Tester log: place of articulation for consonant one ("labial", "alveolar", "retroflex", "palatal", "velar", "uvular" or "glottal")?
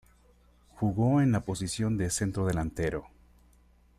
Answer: velar